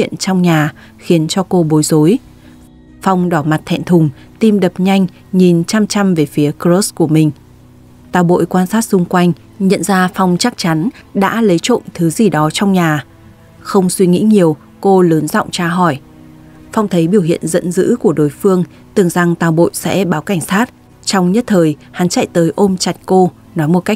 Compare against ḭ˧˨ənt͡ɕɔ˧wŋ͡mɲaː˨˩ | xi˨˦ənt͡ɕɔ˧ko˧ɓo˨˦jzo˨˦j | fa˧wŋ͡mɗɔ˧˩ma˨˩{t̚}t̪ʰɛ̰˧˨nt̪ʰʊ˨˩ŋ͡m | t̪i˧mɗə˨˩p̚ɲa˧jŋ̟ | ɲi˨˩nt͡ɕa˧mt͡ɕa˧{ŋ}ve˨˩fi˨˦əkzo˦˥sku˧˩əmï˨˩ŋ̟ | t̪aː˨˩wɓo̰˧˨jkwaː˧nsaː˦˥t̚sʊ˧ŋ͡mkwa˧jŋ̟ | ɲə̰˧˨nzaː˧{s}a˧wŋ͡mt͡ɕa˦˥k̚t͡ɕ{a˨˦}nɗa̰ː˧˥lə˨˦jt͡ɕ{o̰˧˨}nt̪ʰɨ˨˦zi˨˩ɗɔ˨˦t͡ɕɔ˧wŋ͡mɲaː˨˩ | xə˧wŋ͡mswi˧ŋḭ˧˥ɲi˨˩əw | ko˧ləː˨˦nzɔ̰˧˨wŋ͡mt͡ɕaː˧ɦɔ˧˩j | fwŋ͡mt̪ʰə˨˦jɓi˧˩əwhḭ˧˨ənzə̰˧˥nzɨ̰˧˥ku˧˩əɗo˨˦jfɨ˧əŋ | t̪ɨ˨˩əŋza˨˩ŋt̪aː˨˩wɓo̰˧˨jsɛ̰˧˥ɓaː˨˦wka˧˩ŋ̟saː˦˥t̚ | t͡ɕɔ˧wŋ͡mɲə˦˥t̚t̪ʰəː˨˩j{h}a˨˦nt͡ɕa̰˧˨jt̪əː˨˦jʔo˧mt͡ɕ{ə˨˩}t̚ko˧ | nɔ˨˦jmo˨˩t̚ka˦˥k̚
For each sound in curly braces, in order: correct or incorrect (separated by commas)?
correct, incorrect, incorrect, correct, correct, correct, incorrect